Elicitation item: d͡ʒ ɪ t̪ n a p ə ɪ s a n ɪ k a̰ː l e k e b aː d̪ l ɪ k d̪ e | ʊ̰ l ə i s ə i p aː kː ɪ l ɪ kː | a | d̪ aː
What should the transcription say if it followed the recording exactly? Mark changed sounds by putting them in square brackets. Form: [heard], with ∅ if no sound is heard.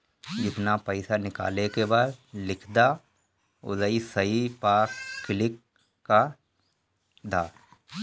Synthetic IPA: d͡ʒ ɪ t̪ n a p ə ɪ s a n ɪ k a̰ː l e k e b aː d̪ l ɪ [kʰ] d̪ [a] | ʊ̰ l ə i s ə i p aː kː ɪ l ɪ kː | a | d̪ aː

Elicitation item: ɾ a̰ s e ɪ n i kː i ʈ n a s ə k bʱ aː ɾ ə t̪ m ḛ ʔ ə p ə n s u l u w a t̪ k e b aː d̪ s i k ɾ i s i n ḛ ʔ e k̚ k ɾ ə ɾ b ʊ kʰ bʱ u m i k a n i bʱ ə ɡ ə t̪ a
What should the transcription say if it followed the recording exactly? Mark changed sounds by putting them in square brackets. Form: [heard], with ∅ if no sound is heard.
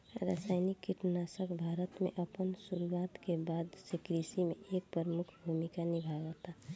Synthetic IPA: ɾ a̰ s [a] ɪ n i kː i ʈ n a s ə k bʱ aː ɾ ə t̪ m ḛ ʔ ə p ə n s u [ɾ] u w a t̪ k e b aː d̪ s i k ɾ i s i [m] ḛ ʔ e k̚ [p] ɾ ə ɾ [m] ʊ kʰ bʱ u m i k a n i bʱ [a] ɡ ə t̪ a

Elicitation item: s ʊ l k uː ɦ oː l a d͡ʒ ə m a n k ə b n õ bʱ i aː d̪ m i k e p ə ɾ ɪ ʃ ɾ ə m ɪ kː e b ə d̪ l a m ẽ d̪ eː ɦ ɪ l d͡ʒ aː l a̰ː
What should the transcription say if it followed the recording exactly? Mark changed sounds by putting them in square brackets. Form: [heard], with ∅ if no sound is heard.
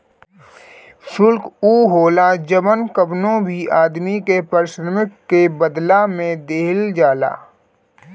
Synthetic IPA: s ʊ l k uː ɦ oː l a d͡ʒ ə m [ə] n k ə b n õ bʱ i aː d̪ m i k e p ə ɾ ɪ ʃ ɾ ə m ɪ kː e b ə d̪ l a m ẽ d̪ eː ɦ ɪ l d͡ʒ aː l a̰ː

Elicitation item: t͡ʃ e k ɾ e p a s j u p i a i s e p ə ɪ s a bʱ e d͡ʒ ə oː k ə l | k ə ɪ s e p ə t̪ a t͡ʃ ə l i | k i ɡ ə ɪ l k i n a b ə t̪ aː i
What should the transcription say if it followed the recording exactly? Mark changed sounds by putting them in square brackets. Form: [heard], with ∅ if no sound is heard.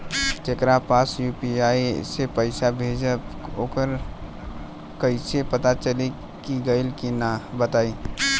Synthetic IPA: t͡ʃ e k ɾ [a] p a s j u p i a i s e p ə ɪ s a bʱ e d͡ʒ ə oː k ə [ɾ] | k ə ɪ s e p ə t̪ a t͡ʃ ə l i | k i ɡ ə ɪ l k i n a b ə t̪ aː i

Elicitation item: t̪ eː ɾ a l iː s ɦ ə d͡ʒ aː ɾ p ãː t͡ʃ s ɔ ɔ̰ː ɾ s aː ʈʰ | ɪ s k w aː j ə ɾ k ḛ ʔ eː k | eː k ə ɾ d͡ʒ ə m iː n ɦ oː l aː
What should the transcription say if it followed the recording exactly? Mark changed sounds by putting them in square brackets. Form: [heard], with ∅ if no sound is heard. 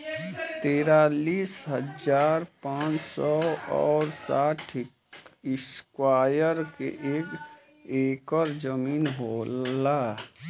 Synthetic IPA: t̪ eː ɾ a l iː s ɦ ə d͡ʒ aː ɾ p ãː t͡ʃ s ɔ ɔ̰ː ɾ s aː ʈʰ | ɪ s k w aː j ə ɾ k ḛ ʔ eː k | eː k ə ɾ d͡ʒ ə m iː n ɦ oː l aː

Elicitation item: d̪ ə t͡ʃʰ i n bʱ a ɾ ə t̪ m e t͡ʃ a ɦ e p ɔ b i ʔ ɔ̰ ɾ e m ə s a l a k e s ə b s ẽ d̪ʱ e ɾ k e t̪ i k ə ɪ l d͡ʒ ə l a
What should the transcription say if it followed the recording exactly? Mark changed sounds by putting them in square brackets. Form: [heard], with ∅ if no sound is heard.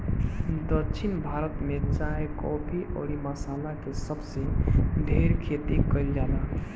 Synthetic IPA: d̪ ə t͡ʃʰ i n bʱ a ɾ ə t̪ m e t͡ʃ a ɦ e [k] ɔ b i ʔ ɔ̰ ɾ [i] m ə s a l a k e s ə b s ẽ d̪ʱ e ɾ [kʰ] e t̪ i k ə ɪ l d͡ʒ [a] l a

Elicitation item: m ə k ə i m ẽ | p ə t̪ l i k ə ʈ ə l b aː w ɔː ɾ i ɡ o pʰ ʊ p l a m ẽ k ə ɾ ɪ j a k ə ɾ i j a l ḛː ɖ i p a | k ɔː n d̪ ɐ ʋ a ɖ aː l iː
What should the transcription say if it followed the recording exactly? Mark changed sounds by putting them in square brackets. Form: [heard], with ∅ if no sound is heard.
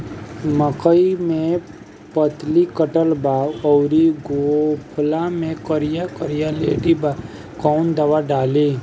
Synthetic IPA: m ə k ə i m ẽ | p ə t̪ l i k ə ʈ ə l b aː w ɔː ɾ i ɡ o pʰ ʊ [∅] l a m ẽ k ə ɾ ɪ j a k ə ɾ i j a l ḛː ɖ i [b] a | k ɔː n d̪ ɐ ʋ a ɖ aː l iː

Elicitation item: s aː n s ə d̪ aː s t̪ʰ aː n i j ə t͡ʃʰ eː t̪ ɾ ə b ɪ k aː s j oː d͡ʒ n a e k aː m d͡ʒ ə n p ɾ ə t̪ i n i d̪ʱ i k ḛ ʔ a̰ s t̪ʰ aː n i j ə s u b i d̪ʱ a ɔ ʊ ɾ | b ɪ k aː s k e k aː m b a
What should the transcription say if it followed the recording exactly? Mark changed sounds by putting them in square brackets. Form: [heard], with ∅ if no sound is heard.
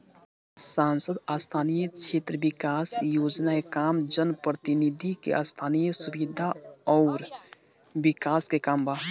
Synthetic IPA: s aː n s ə d̪ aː s t̪ʰ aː n i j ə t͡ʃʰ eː t̪ ɾ ə b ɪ k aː s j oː d͡ʒ n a e k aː m d͡ʒ ə n p ɾ ə t̪ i n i d̪ʱ i k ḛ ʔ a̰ s t̪ʰ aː n i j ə s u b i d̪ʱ a ɔ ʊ ɾ | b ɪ k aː s k e k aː m b a

